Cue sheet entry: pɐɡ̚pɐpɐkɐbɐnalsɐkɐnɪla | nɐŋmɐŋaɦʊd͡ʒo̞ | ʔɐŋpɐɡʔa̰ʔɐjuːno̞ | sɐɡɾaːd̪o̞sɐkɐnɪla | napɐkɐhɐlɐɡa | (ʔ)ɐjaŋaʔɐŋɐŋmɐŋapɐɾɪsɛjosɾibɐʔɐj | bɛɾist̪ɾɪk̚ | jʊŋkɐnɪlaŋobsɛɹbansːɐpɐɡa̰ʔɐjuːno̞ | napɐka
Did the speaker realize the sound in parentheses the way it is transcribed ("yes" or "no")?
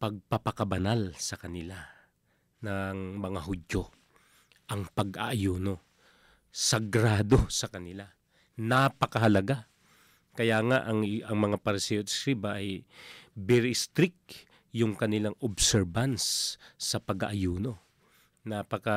no